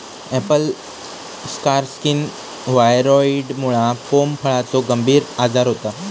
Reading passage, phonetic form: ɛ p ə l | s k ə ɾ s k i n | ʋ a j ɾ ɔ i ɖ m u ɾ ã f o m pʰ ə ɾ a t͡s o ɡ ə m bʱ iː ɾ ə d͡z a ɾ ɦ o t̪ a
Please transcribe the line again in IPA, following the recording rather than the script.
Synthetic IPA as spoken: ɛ p ə l | s k a ɾ s k i n | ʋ a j ɾ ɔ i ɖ m u ɭ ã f o m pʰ ə ɭ a t͡s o ɡ ə m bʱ iː ɾ a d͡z a ɾ ɦ o t̪ a